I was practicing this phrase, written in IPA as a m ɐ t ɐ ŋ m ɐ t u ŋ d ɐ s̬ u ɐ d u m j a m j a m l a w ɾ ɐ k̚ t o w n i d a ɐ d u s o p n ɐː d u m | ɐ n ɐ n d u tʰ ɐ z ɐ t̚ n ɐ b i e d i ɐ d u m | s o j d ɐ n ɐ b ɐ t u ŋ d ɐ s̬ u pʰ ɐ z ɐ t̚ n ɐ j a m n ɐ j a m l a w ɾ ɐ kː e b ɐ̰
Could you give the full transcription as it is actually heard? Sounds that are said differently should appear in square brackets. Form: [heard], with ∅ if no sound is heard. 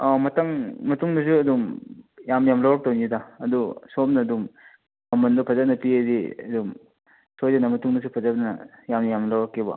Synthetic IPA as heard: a m ɐ t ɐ ŋ m ɐ t u ŋ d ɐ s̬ u ɐ d u m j a m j a m l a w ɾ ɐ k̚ t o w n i d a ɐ d u s o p n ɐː d u m | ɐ [m] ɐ n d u [pʰ] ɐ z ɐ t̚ n ɐ [p] i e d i ɐ d u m | s o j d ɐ n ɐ [m] ɐ t u ŋ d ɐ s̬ u pʰ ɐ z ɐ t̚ n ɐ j a m n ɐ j a m l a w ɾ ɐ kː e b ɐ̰